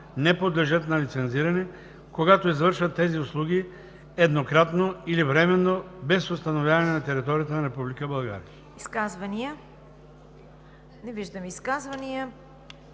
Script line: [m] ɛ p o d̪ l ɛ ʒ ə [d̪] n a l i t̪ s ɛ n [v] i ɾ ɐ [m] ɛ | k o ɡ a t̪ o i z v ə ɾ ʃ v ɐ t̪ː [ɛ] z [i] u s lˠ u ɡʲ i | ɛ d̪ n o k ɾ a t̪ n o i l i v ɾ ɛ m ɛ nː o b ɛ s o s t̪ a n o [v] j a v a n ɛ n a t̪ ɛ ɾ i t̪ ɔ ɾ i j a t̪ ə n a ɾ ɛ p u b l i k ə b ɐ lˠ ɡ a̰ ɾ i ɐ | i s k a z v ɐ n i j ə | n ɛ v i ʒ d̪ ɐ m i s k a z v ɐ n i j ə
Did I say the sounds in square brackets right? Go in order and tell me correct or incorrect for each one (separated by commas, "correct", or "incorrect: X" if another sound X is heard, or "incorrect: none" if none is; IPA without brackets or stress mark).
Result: incorrect: n, incorrect: t̪, incorrect: z, incorrect: n, correct, correct, correct